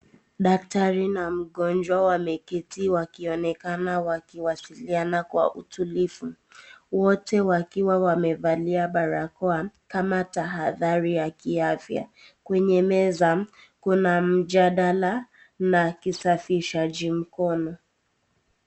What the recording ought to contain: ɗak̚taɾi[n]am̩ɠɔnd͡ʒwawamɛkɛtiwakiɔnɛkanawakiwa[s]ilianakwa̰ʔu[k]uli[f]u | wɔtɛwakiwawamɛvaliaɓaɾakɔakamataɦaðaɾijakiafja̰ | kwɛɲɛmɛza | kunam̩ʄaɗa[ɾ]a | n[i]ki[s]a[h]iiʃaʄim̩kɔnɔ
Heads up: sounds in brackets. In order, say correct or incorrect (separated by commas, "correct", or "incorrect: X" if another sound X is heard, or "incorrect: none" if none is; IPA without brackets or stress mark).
correct, correct, incorrect: t, correct, incorrect: l, incorrect: a, correct, incorrect: f